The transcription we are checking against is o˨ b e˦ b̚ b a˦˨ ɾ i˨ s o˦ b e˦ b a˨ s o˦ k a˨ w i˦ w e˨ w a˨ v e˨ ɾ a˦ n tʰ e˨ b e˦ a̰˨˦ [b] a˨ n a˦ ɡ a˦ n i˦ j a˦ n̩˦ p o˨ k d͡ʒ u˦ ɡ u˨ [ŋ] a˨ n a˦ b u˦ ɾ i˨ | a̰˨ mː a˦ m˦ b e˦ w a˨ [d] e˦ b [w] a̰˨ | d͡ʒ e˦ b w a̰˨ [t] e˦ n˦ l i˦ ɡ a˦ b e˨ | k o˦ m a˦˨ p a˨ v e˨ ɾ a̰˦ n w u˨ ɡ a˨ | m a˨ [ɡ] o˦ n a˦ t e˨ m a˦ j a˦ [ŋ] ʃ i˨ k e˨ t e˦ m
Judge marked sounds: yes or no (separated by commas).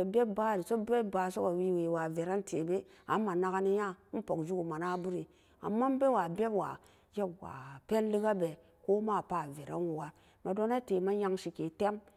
no, no, no, yes, no, no, yes